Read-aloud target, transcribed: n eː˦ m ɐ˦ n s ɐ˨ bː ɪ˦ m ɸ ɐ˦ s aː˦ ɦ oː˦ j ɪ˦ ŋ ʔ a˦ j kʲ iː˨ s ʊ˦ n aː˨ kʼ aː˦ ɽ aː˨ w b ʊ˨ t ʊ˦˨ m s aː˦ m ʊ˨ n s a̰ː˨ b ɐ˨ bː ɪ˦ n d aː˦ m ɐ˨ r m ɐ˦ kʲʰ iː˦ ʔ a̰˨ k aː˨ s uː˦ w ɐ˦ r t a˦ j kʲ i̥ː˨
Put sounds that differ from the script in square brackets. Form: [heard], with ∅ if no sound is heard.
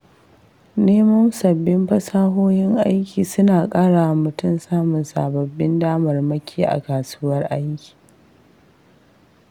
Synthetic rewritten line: n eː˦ m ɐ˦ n s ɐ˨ bː ɪ˦ m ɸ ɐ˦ s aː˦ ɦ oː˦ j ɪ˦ ŋ ʔ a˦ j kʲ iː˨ s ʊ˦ n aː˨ kʼ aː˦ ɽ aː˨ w [m] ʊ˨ t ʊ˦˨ m s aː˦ m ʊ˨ n s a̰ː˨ b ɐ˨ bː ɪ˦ n d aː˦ m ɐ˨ r m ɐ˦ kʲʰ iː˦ ʔ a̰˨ k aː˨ s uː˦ w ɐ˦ r [ʔ] a˦ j kʲ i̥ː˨